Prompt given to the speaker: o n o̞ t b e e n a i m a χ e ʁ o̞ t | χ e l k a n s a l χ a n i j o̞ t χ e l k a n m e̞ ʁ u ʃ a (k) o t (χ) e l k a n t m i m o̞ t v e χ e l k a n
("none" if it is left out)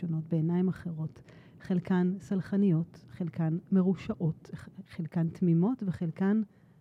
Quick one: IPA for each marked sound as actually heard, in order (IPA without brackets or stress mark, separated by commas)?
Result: ʔ, χ